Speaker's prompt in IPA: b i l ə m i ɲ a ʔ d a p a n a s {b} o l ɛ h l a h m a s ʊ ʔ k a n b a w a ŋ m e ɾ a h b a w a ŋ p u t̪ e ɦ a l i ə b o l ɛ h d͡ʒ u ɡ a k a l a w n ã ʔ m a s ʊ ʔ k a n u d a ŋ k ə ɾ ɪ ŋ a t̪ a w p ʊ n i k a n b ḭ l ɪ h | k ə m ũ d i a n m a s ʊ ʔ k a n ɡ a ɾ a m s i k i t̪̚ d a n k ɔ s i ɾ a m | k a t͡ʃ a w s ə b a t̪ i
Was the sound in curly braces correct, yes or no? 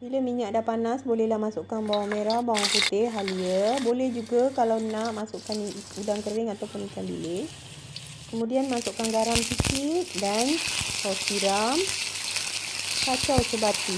yes